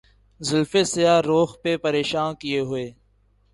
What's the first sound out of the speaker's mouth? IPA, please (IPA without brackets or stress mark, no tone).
z